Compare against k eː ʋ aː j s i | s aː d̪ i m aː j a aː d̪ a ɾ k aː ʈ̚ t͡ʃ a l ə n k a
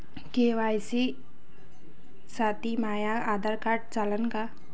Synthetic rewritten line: k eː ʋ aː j s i | s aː t̪ i m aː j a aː d̪ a ɾ k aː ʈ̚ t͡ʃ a l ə n k a